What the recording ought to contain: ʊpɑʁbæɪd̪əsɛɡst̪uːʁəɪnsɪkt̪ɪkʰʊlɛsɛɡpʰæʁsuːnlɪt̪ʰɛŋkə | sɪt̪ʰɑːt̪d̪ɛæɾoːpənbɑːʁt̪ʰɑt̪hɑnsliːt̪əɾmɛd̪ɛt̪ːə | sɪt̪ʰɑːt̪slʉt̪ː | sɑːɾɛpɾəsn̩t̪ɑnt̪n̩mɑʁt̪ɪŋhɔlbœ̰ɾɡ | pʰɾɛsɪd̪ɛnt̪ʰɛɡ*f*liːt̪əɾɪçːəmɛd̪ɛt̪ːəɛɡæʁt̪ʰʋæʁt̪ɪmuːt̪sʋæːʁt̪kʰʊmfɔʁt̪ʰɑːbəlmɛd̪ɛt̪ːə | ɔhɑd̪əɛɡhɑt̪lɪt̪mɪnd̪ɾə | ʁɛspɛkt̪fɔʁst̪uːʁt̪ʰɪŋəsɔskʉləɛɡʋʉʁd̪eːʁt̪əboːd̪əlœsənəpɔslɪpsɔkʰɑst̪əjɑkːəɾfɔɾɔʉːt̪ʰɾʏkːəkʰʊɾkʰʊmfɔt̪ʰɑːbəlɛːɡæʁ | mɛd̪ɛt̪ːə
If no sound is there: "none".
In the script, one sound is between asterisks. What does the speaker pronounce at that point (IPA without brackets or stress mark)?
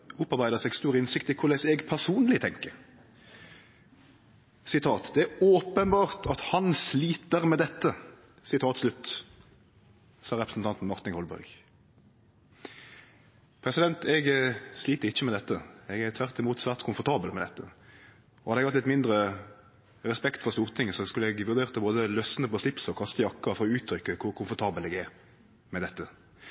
s